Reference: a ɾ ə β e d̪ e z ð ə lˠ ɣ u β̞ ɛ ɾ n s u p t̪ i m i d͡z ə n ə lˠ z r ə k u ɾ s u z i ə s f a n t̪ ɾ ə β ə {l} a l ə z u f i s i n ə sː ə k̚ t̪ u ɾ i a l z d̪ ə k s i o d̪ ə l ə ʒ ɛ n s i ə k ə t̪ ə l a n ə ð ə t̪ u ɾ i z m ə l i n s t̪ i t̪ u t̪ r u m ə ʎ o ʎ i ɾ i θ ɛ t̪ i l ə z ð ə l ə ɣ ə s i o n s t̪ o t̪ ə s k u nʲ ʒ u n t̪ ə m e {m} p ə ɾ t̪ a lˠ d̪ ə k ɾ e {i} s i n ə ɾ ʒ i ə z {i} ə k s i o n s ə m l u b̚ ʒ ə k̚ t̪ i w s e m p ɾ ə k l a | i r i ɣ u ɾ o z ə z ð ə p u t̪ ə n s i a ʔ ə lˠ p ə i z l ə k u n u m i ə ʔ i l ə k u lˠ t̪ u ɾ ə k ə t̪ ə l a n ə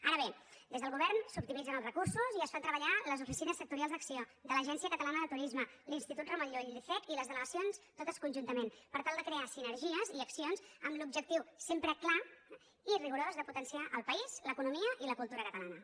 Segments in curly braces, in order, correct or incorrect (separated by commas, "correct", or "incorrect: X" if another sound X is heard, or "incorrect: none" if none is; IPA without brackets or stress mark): incorrect: ʎ, incorrect: n, incorrect: a, correct